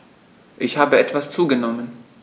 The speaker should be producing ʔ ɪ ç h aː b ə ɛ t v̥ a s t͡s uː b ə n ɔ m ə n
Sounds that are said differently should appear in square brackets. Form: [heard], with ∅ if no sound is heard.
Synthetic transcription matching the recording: ʔ ɪ ç h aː b ə ɛ t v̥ a s t͡s uː [ɡ] ə n ɔ m ə n